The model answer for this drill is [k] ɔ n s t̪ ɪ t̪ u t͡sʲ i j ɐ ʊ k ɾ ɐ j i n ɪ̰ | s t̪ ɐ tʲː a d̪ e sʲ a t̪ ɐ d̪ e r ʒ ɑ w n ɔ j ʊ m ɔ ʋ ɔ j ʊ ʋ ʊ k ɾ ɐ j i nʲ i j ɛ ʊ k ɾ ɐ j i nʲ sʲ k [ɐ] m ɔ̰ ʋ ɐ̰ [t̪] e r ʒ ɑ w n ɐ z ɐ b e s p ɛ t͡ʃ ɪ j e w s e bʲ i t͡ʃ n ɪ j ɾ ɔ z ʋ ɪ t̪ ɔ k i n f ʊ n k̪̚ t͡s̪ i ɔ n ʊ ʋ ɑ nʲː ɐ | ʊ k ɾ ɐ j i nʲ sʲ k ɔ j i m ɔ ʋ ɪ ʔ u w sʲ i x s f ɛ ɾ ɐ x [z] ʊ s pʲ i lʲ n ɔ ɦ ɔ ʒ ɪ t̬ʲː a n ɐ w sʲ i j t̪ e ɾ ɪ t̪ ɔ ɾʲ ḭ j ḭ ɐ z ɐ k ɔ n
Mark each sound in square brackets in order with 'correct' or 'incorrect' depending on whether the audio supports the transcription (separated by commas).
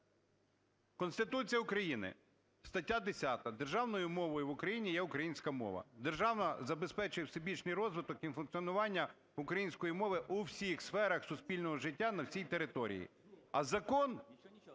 correct, correct, incorrect, incorrect